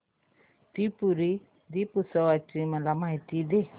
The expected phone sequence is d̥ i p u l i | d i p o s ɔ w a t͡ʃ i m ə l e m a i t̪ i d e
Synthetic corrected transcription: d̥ i p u ɾ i | d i p u s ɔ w a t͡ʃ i m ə l a m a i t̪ i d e